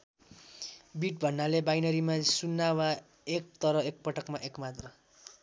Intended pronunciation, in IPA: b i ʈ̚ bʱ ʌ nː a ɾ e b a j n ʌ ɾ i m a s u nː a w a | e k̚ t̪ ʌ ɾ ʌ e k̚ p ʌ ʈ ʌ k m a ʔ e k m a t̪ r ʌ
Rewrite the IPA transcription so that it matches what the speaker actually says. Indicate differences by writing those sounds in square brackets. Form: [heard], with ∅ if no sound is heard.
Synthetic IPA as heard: b i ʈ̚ bʱ ʌ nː a [l] e b a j n ʌ ɾ i m a s u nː a w a | e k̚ t̪ ʌ ɾ ʌ e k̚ p ʌ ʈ ʌ k m a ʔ e k m a t̪ r ʌ